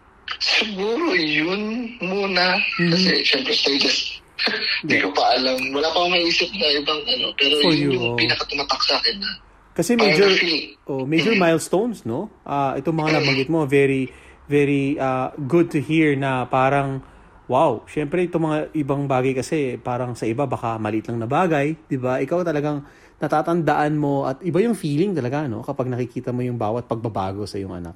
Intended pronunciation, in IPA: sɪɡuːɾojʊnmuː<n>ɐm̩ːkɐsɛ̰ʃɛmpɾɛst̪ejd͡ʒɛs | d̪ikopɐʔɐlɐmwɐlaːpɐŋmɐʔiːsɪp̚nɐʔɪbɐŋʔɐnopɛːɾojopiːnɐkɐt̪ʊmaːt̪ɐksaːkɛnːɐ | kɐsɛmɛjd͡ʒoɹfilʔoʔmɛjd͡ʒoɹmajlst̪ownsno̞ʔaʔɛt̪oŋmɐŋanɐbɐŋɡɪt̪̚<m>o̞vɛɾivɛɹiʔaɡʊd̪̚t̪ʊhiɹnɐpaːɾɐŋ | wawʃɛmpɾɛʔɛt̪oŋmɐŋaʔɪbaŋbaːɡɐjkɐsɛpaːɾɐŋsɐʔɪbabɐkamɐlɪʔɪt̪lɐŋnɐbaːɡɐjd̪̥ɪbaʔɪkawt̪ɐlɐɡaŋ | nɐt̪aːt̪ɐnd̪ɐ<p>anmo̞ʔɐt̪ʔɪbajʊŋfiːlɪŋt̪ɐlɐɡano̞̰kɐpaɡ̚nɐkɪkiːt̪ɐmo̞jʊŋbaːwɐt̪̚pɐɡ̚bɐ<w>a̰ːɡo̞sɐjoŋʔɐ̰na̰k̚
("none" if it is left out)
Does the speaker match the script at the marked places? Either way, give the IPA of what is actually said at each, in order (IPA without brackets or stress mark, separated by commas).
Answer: n, m, ʔ, b